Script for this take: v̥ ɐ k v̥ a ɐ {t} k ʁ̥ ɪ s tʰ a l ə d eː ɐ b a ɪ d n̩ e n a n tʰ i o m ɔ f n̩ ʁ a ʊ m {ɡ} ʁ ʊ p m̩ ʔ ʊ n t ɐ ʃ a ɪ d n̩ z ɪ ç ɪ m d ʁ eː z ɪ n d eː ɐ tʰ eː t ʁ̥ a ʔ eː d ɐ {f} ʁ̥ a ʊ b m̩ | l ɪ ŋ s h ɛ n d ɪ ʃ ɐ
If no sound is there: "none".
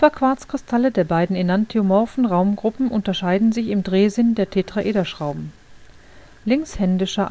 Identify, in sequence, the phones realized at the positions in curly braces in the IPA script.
t͡s, ɡ, ʃ

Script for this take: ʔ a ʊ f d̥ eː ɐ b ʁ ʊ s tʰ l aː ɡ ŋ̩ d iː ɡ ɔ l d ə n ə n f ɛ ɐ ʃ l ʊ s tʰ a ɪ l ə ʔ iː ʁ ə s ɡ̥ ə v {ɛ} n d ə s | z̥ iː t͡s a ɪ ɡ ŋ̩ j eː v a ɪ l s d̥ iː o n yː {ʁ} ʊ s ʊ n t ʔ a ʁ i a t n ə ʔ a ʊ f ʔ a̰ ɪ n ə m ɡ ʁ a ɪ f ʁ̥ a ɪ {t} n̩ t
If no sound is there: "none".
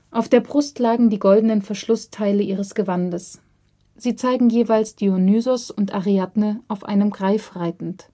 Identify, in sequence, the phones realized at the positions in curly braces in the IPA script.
a, z, t

